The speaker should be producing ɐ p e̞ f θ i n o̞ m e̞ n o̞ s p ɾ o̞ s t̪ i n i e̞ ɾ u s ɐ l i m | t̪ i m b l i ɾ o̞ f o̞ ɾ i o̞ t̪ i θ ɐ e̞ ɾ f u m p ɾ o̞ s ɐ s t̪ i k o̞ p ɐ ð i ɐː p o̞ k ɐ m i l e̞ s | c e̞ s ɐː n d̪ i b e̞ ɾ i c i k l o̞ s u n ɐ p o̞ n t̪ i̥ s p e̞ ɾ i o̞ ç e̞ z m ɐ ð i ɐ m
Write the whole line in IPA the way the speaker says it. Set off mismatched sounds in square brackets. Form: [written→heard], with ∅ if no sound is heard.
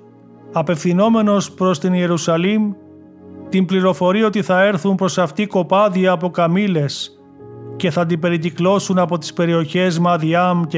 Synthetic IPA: ɐ p e̞ f θ i n o̞ m e̞ n o̞ s p ɾ o̞ s t̪ i n i e̞ ɾ u s ɐ l i m | t̪ i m b l i ɾ o̞ f o̞ ɾ i o̞ t̪ i θ ɐ e̞ ɾ [f→θ] u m p ɾ o̞ s ɐ [s→f] t̪ i k o̞ p ɐ ð i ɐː p o̞ k ɐ m i l e̞ s | c e̞ [s→θ] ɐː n d̪ i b e̞ ɾ i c i k l o̞ s u n ɐ p o̞ [n→∅] t̪ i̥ s p e̞ ɾ i o̞ ç e̞ z m ɐ ð i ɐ m